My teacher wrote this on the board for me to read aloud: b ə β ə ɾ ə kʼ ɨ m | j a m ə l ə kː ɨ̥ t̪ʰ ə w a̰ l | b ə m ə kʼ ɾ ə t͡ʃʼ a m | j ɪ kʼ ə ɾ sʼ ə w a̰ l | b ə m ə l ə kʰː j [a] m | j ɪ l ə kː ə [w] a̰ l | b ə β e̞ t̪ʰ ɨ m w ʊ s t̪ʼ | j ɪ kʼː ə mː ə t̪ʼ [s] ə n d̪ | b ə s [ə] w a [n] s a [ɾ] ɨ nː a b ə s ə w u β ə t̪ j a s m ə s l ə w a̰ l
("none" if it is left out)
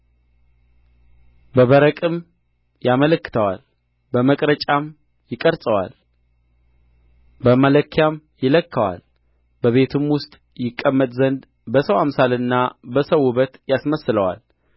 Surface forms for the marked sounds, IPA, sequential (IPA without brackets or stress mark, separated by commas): a, w, z, ə, m, l